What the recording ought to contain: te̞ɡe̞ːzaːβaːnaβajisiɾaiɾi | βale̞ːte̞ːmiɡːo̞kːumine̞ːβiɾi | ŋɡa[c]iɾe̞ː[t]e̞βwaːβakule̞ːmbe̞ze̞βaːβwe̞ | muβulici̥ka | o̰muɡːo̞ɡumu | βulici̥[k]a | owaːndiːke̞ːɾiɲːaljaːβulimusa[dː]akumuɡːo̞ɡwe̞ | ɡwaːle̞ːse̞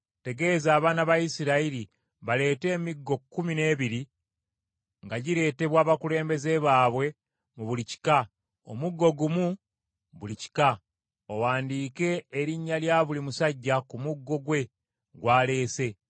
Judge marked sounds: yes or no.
no, yes, yes, no

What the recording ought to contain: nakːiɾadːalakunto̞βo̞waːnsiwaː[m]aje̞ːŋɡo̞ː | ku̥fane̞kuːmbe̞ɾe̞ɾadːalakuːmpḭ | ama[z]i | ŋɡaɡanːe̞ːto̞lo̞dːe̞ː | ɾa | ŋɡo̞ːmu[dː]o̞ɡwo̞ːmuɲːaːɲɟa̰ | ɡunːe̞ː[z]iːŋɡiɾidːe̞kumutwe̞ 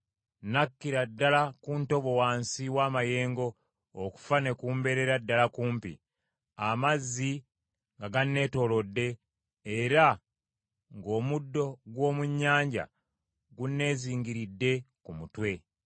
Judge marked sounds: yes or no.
yes, no, yes, yes

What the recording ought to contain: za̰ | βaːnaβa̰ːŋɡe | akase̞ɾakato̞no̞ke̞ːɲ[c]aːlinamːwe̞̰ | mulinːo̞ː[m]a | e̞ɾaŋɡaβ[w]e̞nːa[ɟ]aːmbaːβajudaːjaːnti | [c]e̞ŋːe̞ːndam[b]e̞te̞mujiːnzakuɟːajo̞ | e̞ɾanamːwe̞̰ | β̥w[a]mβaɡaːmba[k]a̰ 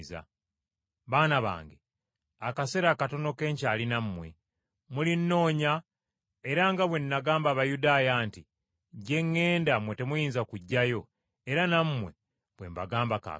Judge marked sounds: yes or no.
yes, no, yes, no, no, no, no, yes

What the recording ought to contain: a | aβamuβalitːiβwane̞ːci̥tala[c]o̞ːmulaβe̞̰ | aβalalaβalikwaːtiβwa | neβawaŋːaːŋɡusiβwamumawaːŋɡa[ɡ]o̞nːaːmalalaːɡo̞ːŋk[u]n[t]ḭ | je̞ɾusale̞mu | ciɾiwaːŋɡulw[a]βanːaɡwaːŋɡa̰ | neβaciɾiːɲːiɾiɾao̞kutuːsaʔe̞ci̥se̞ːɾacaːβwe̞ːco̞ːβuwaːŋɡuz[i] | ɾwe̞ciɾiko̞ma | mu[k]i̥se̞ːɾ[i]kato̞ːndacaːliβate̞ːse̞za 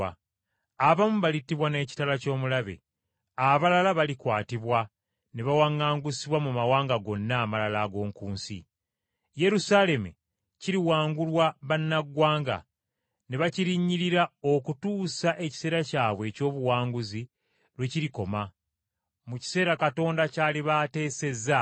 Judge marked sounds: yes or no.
yes, yes, no, no, yes, yes, no, no

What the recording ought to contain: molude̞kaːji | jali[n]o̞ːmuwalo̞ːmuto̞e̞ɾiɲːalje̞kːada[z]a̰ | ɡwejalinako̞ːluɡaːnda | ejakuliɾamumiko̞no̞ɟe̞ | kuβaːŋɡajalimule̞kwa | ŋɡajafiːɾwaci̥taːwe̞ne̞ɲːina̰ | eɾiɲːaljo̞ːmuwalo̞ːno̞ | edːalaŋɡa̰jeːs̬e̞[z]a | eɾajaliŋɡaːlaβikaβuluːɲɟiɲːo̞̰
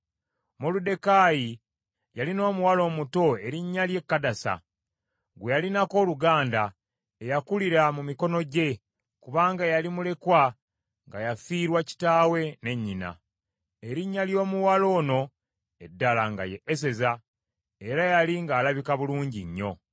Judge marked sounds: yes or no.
yes, no, yes

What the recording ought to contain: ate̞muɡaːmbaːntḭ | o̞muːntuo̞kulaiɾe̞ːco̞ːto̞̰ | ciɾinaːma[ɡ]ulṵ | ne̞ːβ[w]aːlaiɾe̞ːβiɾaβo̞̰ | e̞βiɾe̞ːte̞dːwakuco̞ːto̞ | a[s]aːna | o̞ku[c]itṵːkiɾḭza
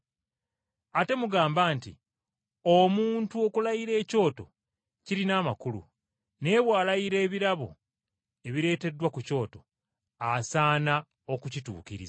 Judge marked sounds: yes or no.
no, yes, yes, yes

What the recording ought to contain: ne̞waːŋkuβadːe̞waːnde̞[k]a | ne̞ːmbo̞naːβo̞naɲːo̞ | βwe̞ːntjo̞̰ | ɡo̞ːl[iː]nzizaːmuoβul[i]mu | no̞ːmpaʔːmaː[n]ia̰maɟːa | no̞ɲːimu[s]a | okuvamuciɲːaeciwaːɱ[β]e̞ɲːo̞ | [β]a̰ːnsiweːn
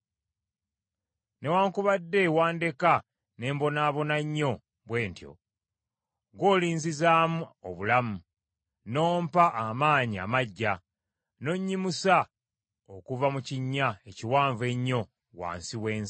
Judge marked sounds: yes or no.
yes, yes, no, no, yes, no, no

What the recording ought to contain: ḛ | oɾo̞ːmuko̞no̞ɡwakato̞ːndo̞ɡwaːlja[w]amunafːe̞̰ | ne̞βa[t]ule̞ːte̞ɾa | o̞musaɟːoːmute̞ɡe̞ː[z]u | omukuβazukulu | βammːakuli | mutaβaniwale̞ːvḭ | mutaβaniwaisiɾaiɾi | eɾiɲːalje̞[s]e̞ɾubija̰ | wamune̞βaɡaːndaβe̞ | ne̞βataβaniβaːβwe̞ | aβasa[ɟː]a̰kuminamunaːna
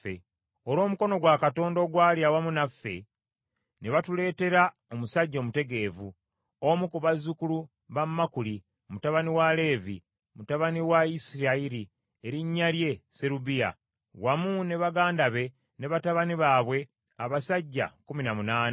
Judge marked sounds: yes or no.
yes, yes, no, yes, yes

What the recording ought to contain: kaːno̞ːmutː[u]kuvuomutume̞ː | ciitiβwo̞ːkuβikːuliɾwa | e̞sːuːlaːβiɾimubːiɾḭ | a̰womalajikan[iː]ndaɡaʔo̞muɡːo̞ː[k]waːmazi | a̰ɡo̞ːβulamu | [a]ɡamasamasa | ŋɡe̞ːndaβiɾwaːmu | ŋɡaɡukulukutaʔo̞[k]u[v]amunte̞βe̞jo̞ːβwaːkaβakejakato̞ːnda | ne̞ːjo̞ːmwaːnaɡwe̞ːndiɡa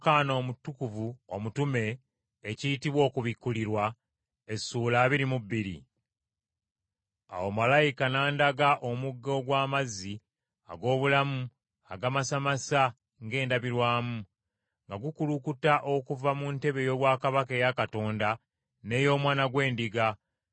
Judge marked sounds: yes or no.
yes, no, no, yes, yes, yes

